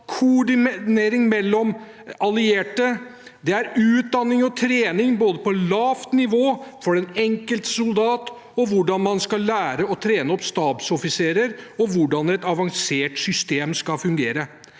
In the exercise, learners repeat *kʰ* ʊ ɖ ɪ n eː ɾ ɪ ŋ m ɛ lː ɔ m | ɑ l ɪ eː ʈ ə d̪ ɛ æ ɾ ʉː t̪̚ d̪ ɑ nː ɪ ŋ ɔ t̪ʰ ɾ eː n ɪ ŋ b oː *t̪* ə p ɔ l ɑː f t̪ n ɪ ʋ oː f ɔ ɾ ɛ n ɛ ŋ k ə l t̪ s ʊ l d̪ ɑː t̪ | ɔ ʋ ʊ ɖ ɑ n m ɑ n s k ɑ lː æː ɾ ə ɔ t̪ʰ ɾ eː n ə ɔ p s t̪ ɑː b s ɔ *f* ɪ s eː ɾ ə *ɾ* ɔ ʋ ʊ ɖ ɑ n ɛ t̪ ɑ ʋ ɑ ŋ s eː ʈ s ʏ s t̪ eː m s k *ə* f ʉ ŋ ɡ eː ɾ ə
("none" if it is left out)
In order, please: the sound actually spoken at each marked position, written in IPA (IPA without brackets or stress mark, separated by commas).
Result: kʰ, d̪, f, ɾ, ɑ